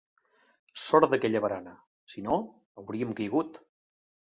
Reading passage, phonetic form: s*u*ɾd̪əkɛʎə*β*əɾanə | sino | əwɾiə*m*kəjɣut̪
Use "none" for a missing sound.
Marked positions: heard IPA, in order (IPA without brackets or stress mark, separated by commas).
ɔ, β, m